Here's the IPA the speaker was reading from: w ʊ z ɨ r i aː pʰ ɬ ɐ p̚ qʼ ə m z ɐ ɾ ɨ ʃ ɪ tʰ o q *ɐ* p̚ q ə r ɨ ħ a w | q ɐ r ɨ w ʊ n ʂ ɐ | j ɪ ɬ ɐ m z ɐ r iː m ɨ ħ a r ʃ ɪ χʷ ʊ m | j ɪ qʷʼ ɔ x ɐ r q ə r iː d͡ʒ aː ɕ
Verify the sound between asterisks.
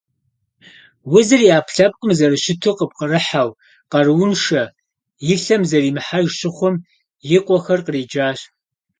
incorrect: ə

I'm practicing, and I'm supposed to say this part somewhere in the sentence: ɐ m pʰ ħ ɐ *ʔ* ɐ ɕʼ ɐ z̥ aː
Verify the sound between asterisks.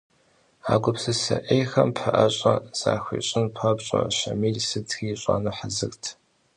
correct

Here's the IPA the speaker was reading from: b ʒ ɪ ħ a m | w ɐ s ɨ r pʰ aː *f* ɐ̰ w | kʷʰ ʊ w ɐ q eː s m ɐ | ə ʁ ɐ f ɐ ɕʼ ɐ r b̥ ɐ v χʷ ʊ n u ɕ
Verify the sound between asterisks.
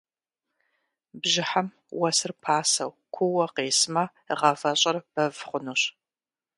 incorrect: s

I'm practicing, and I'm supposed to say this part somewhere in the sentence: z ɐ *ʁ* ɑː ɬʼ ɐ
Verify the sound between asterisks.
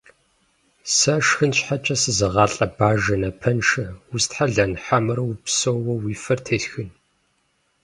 correct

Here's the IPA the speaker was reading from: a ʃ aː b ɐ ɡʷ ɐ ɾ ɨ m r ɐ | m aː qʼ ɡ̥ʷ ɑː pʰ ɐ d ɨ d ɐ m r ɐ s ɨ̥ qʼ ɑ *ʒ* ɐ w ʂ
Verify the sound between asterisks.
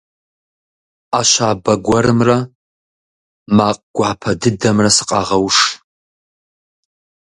incorrect: ʁ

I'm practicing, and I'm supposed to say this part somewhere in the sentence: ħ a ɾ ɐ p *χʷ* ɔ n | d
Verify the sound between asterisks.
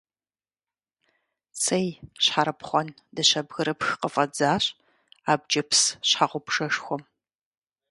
correct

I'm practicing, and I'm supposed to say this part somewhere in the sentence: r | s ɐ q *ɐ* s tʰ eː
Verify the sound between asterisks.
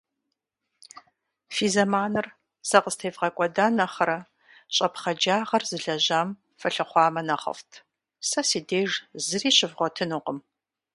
incorrect: ə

